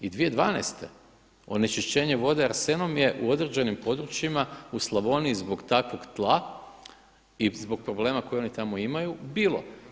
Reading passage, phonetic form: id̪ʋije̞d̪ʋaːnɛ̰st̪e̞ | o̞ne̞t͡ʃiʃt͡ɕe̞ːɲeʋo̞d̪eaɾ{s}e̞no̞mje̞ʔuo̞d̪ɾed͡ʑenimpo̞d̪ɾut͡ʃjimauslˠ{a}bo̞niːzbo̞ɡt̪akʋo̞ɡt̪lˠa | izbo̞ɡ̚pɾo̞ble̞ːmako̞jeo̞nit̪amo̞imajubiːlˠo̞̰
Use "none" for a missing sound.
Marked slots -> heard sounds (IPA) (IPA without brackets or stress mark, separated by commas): s, a